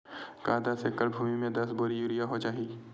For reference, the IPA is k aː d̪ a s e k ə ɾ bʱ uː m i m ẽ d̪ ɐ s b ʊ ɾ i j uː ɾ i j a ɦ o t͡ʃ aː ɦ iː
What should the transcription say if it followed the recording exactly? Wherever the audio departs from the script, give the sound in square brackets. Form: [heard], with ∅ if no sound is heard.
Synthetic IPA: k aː d̪ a s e k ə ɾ bʱ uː m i m ẽ d̪ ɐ s b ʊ ɾ i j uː ɾ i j a ɦ o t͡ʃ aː ɦ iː